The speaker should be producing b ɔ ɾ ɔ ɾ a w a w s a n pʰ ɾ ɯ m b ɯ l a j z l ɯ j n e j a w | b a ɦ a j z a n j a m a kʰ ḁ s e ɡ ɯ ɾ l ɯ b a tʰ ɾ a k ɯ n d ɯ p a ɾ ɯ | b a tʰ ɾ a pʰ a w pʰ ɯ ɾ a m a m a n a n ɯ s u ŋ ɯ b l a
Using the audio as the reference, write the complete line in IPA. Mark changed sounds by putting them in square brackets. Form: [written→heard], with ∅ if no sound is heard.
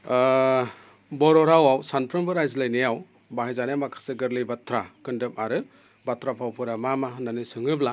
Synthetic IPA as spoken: b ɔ ɾ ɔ ɾ a w a w s a n pʰ ɾ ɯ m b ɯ [l→ɾ] a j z l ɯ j n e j a w | b a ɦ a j z a n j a m a kʰ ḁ s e ɡ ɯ ɾ l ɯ b a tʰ ɾ a k ɯ n d ɯ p a ɾ ɯ | b a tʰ ɾ a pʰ a w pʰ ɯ ɾ a m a m a n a n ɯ s [u→ɯ] ŋ ɯ b l a